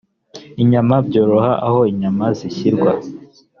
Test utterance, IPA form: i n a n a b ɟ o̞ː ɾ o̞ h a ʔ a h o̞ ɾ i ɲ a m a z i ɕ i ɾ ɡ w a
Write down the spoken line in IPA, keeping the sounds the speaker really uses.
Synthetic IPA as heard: i ɲ a m a b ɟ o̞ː ɾ o̞ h a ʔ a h o̞ i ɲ a m a z i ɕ i ɾ ɡ w a